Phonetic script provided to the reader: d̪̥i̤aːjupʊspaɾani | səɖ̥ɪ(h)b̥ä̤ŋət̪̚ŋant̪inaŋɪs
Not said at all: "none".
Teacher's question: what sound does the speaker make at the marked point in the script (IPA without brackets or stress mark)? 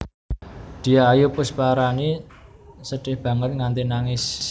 h